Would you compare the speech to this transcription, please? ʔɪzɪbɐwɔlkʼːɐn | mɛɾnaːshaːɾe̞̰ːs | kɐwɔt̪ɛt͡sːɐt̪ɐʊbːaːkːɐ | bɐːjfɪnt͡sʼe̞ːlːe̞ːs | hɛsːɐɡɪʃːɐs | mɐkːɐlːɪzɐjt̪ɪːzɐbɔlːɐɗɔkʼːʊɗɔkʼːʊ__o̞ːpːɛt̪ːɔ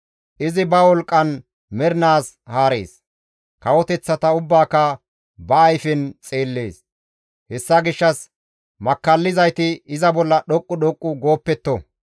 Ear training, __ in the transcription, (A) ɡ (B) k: A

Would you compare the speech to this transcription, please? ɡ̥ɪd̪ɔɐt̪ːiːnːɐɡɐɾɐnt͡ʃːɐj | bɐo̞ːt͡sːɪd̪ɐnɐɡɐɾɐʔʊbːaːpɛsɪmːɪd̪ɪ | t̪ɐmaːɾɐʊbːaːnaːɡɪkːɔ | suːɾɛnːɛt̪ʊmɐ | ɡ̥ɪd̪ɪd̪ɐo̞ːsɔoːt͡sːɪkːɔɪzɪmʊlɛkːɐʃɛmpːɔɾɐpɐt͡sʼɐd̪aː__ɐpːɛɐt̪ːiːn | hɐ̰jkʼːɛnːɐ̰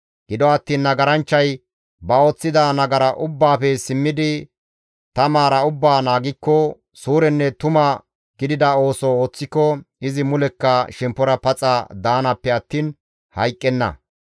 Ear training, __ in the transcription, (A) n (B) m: A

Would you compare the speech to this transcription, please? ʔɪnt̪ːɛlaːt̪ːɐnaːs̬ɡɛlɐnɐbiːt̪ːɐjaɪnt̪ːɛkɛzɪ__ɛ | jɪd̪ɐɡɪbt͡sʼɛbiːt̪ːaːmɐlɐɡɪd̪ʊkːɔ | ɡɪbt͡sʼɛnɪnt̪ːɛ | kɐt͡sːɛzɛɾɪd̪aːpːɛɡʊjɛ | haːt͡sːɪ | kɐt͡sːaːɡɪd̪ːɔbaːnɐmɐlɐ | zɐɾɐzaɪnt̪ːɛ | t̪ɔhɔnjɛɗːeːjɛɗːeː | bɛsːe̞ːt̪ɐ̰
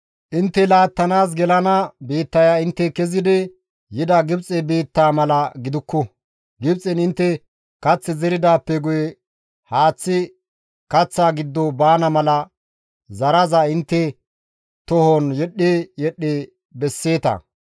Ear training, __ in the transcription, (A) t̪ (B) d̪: B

